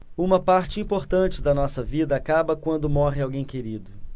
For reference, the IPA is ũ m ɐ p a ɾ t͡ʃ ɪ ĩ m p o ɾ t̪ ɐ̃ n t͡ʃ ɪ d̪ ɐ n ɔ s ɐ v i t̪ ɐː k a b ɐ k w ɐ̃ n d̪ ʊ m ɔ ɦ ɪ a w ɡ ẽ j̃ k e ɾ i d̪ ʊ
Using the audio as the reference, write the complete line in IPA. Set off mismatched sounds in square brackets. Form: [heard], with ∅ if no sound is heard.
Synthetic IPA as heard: ũ m ɐ p a ɾ t͡ʃ ɪ ĩ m p o ɾ t̪ ɐ̃ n t͡ʃ ɪ d̪ ɐ n ɔ s ɐ v i [d̪] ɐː k a b ɐ k w ɐ̃ n d̪ ʊ m ɔ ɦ ɪ a w ɡ ẽ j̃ k e ɾ i d̪ ʊ